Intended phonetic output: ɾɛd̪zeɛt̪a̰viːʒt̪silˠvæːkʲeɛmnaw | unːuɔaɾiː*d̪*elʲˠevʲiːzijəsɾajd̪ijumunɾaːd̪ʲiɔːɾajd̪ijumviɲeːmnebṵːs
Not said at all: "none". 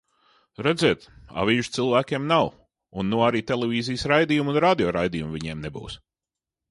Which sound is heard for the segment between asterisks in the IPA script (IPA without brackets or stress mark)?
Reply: t̪